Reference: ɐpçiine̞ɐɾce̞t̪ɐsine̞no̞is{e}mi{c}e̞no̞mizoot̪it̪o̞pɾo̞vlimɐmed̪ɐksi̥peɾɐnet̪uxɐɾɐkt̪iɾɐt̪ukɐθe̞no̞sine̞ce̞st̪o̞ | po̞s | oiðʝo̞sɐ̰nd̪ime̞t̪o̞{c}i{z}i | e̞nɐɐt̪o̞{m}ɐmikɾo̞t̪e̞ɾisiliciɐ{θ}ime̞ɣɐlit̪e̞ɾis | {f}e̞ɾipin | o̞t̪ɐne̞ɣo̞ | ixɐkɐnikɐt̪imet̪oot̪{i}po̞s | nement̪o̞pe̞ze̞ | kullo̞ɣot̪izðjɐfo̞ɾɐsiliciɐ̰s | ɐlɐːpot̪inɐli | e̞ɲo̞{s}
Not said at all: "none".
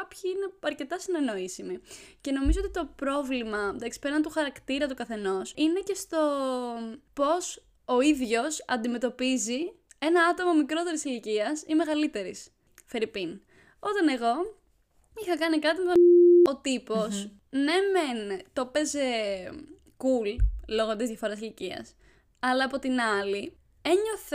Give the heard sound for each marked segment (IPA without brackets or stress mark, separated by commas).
i, c, p, z, m, s, f, i, θ